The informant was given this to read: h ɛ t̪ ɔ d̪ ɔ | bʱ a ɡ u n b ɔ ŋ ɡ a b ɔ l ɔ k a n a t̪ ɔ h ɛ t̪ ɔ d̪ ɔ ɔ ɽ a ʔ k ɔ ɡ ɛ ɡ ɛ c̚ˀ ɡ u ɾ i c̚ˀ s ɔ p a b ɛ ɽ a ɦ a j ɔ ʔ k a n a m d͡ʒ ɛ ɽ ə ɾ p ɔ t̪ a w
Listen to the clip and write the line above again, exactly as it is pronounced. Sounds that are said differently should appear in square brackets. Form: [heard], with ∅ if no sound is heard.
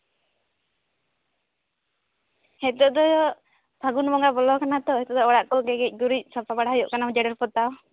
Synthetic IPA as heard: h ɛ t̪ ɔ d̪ ɔ | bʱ a ɡ u n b ɔ ŋ ɡ a b ɔ l ɔ k a n a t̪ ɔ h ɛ t̪ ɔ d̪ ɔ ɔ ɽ a ʔ k ɔ ɡ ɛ ɡ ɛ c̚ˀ ɡ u ɾ i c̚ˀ s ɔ p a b [a] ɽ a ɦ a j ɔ ʔ k a n a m d͡ʒ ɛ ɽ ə ɾ p ɔ t̪ a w